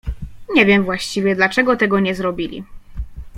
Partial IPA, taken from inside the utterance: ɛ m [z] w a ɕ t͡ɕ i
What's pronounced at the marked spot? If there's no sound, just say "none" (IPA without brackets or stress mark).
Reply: v